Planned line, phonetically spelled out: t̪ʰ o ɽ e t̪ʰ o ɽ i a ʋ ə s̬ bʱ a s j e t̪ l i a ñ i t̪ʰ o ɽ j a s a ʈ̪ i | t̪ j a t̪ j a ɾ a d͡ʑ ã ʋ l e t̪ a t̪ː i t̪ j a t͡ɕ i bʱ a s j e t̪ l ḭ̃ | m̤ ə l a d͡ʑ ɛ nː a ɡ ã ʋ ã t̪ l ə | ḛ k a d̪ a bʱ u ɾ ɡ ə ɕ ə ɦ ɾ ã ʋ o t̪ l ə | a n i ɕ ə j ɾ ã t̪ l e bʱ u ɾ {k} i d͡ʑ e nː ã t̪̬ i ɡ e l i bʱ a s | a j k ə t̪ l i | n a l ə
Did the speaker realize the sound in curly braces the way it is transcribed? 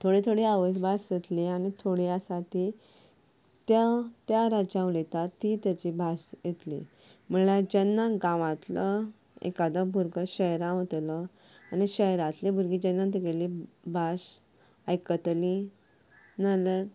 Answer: no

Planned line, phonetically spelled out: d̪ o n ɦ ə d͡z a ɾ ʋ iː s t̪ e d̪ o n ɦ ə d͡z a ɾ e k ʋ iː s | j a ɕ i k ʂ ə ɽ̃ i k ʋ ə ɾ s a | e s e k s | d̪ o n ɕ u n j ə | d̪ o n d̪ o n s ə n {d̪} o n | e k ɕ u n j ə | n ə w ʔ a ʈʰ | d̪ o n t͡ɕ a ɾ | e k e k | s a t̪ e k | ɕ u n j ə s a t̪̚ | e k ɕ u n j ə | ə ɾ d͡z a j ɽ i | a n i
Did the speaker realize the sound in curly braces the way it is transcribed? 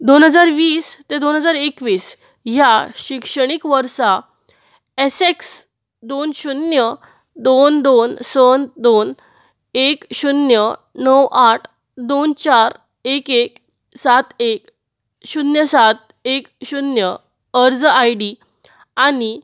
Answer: yes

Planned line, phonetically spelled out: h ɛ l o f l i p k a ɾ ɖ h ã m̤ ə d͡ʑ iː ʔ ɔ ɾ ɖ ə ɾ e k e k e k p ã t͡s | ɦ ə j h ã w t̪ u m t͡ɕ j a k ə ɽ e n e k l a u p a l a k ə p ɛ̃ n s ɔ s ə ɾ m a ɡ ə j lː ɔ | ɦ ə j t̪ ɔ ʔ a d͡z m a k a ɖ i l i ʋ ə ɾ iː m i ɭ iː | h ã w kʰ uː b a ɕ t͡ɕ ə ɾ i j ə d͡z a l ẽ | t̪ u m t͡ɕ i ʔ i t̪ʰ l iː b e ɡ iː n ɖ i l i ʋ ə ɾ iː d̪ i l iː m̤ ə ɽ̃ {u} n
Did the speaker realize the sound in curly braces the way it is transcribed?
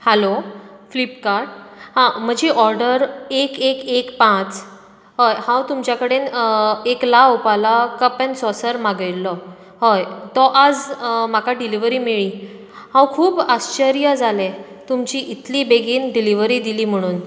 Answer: no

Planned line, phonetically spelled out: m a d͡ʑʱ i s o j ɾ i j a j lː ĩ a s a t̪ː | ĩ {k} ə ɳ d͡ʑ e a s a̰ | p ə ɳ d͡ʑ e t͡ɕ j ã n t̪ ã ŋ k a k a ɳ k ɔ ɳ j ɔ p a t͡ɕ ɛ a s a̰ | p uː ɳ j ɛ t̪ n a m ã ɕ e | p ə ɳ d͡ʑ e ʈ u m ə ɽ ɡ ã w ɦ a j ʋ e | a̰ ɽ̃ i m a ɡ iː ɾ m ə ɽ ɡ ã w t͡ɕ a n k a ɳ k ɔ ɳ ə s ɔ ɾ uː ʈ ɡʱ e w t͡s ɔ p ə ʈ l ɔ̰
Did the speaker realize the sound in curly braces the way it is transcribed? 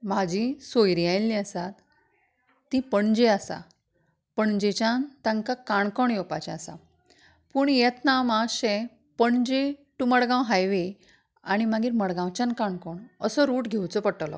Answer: no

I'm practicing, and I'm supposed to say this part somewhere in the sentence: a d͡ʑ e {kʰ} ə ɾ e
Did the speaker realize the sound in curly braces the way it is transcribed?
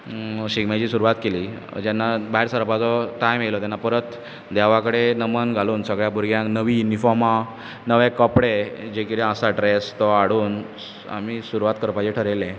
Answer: no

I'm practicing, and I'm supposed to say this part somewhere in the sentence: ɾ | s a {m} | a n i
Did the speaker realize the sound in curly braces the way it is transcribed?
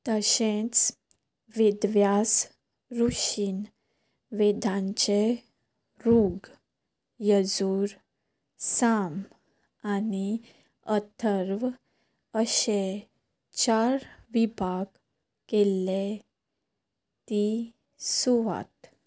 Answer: yes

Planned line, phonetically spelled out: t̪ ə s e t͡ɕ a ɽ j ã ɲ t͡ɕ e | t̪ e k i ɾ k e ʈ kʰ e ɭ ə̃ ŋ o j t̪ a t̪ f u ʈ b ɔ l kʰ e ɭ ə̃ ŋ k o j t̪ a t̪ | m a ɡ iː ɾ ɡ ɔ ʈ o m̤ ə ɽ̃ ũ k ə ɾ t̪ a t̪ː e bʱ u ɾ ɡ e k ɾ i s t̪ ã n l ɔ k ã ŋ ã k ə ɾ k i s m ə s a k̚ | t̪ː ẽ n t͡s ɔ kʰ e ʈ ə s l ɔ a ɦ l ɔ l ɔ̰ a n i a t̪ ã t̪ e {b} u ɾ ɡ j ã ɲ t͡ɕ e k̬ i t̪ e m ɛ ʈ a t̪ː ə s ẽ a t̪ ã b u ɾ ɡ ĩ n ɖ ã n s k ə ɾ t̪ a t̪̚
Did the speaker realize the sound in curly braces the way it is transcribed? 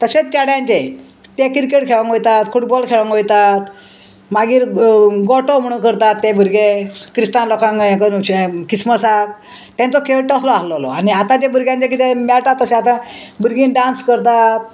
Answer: yes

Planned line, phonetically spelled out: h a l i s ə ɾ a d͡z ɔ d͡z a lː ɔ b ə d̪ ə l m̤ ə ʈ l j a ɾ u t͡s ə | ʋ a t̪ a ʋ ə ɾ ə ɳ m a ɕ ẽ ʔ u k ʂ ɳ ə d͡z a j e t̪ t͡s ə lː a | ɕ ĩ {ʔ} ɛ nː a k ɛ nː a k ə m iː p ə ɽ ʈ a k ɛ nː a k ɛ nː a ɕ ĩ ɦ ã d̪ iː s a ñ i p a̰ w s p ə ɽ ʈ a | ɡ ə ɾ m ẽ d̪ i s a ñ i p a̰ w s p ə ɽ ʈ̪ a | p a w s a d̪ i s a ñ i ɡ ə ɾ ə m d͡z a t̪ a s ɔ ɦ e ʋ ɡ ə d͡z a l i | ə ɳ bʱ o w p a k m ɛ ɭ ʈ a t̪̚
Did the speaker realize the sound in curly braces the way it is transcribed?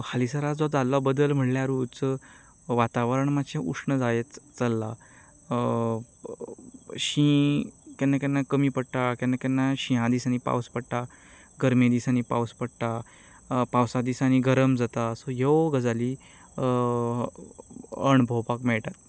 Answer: no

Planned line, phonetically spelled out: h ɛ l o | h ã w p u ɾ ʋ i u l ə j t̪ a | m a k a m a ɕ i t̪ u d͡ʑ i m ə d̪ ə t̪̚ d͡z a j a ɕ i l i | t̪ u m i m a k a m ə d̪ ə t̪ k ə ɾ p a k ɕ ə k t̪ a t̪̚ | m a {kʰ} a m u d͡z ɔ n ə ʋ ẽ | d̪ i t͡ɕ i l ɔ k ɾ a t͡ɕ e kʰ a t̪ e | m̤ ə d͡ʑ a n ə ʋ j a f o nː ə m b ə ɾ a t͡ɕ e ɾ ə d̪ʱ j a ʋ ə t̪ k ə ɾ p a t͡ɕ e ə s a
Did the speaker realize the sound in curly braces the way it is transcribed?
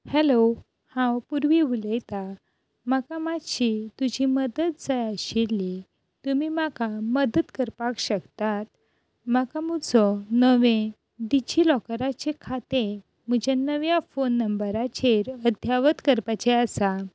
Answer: no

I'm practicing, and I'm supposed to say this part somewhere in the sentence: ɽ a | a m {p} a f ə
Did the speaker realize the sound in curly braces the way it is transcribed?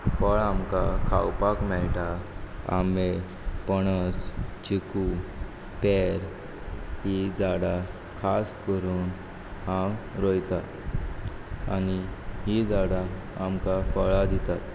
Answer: no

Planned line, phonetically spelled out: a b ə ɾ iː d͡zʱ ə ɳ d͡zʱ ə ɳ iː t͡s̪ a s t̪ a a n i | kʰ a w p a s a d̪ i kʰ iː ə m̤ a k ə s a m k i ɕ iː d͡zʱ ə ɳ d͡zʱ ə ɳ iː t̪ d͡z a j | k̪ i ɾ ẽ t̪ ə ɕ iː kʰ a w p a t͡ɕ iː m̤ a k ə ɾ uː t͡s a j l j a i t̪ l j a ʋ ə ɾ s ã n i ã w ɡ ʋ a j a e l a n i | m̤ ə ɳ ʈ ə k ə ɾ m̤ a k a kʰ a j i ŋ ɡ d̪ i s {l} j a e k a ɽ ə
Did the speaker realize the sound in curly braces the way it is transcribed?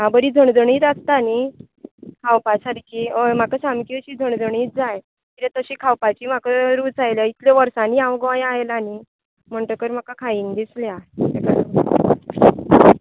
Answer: yes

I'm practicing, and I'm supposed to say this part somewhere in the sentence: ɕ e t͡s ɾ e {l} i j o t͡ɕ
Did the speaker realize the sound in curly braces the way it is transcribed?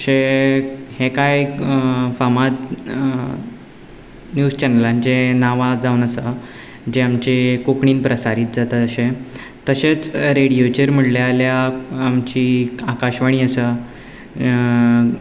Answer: no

